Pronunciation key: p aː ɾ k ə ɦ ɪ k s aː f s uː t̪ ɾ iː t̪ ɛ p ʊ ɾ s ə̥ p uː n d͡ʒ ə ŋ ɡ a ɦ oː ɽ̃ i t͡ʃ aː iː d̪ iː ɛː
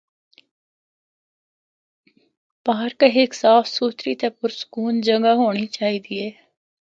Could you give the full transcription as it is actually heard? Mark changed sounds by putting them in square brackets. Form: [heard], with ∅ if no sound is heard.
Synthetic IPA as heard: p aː ɾ k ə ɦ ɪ k s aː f s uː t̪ ɾ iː t̪ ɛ p ʊ ɾ s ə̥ [k] uː n d͡ʒ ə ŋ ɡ a ɦ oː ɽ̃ i t͡ʃ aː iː d̪ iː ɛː